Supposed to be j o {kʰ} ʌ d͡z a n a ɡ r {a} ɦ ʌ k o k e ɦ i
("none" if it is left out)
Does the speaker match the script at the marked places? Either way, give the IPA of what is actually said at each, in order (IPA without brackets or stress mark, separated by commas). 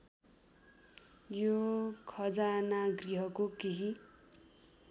kʰ, i